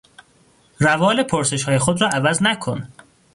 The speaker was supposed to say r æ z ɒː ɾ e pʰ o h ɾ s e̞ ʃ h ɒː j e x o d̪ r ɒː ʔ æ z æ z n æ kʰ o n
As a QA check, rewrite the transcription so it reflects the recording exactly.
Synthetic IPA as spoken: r æ v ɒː l e pʰ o ɾ s e̞ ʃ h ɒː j e x o d̪ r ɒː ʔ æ v æ z n æ kʰ o n